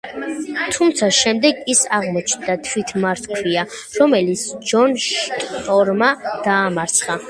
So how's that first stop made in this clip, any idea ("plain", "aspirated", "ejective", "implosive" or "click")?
aspirated